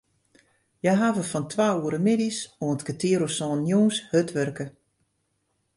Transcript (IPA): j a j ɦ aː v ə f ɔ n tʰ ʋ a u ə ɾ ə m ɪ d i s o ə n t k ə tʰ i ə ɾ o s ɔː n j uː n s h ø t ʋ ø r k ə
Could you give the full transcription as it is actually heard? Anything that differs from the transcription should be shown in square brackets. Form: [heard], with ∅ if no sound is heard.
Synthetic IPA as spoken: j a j ɦ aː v ə f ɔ n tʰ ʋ a u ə ɾ ə m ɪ d i s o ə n t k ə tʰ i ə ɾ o s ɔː n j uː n s h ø t ʋ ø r k ə